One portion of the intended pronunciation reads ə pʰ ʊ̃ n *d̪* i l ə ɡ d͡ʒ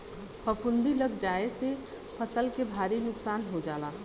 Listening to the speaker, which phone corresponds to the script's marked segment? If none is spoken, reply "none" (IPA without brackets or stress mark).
d̪